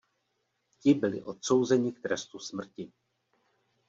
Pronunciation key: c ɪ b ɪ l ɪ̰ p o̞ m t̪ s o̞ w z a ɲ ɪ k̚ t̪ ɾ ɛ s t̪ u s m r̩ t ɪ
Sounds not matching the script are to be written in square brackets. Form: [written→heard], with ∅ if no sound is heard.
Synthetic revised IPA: c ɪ b ɪ l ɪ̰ [p→ʔ] o̞ [m→∅] t̪ s o̞ w z [a→ɛ] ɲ ɪ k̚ t̪ ɾ ɛ s t̪ u s m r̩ [t→c] ɪ